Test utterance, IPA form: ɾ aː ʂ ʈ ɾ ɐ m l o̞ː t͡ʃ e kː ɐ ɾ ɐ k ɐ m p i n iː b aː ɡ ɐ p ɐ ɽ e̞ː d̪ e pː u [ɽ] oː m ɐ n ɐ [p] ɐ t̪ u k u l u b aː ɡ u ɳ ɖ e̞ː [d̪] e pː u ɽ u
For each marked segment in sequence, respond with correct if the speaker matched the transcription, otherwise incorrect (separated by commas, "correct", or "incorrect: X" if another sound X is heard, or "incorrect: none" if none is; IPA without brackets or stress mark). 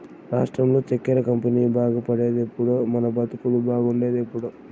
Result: correct, incorrect: b, correct